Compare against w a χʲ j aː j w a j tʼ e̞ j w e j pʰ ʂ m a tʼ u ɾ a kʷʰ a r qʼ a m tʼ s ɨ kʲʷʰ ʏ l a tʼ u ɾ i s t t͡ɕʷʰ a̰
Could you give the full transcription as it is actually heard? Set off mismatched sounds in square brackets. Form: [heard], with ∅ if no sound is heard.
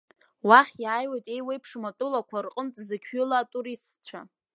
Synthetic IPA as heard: w a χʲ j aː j w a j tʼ e̞ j w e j pʰ ʂ m a tʼ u [l] a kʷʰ a r qʼ [ə] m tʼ [z] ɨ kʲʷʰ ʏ l a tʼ u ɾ i s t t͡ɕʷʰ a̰